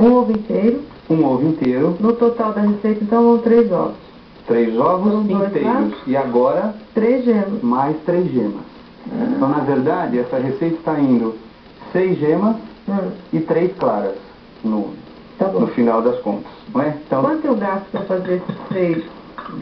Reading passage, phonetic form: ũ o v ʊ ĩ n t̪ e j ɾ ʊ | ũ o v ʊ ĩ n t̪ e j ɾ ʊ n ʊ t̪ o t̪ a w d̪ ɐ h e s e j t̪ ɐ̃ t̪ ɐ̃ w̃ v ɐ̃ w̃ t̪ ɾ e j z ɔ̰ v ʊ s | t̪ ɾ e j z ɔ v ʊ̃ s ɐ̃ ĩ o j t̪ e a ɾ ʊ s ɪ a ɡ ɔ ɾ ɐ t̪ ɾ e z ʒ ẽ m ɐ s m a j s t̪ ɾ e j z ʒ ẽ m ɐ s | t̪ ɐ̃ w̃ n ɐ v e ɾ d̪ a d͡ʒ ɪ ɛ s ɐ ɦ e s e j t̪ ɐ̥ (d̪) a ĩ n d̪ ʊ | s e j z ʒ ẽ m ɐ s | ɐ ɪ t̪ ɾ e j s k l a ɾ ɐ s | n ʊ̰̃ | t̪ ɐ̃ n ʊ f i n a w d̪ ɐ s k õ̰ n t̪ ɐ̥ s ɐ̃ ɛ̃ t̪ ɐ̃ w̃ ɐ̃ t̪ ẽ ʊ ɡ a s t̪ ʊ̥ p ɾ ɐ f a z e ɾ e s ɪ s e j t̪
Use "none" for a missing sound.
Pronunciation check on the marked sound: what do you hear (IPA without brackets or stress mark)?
t̪